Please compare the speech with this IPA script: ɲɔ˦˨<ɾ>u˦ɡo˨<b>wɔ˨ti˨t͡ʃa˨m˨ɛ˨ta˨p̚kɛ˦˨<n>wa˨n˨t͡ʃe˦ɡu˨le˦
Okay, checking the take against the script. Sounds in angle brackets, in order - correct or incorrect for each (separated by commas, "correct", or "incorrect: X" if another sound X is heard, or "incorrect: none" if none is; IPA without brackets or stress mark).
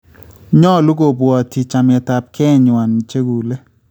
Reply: incorrect: l, correct, incorrect: ɲ